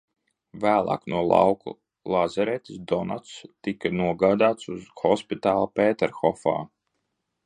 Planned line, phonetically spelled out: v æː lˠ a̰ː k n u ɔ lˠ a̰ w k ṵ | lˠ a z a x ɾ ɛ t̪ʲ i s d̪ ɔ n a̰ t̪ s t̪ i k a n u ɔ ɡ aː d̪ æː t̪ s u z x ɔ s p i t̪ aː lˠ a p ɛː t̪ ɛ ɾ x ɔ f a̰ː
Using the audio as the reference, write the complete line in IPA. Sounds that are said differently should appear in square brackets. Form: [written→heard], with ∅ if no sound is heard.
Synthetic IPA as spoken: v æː lˠ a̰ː k n u ɔ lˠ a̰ w k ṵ | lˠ a z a [x→∅] ɾ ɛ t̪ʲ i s d̪ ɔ n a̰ t̪ s t̪ i k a n u ɔ ɡ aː d̪ [æː→aː] t̪ s u z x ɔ s p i t̪ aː lˠ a p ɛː t̪ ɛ ɾ x ɔ f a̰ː